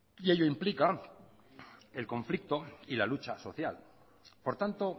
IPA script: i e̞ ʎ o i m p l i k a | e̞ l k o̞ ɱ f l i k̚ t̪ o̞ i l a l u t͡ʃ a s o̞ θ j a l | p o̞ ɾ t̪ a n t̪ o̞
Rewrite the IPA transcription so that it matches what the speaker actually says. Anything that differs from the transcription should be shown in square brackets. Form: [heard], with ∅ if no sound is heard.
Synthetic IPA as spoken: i e̞ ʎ o i m p l i k a | e̞ l k o̞ ɱ f l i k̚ t̪ o̞ i l a l u t͡ʃ a s o̞ θ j a l | p o̞ ɾ t̪ a n t̪ o̞